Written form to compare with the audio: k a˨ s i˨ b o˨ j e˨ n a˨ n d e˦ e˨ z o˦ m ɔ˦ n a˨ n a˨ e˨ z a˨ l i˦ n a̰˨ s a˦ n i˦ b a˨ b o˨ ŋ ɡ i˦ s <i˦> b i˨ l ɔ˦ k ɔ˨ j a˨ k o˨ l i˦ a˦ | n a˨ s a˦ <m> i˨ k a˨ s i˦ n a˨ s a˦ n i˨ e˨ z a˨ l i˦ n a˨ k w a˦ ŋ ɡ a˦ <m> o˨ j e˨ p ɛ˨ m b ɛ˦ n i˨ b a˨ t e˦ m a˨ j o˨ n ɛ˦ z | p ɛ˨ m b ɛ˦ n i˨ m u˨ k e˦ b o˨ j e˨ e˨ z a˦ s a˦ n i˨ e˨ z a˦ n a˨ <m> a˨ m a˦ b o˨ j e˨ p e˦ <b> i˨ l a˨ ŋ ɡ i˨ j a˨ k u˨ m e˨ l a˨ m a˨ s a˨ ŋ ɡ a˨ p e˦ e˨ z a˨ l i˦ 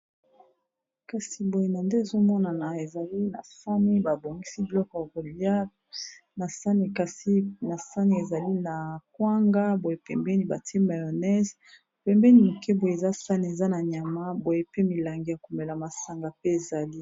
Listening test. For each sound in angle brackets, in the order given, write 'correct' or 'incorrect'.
correct, incorrect: n, incorrect: b, incorrect: ɲ, incorrect: m

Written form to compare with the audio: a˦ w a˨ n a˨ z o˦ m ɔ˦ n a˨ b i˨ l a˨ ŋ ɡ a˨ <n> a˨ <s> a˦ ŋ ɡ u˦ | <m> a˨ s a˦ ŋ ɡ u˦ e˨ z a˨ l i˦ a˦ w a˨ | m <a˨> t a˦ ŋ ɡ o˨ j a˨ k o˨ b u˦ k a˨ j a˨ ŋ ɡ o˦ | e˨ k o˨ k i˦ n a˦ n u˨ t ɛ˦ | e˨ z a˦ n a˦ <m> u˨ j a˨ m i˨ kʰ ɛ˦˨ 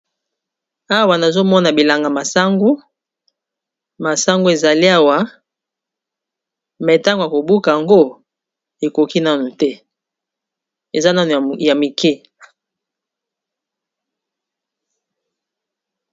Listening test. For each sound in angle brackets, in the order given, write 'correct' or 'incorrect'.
incorrect: m, correct, correct, incorrect: ɛ˨, incorrect: n

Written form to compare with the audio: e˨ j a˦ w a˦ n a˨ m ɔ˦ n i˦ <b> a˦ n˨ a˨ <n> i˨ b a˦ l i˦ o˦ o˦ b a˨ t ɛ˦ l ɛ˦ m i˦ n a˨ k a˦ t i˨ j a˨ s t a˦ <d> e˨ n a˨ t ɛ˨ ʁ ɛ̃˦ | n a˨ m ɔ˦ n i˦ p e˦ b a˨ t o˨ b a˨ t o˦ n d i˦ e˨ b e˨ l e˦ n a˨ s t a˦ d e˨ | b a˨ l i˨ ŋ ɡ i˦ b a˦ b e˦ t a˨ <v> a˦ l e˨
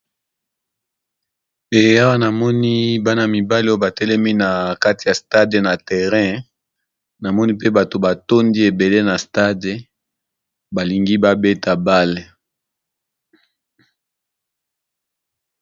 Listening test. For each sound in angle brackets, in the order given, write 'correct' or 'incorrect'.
correct, incorrect: m, correct, incorrect: b

